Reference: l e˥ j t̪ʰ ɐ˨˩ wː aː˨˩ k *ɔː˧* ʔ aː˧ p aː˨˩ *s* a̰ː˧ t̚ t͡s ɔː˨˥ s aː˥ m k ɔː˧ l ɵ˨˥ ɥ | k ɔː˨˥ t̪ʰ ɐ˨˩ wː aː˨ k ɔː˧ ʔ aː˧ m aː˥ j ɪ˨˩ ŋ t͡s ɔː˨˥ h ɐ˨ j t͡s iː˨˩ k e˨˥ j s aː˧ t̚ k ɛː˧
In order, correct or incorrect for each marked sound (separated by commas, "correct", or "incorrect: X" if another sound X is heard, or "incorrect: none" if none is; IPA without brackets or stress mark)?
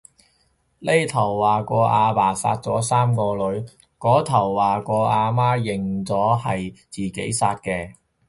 correct, correct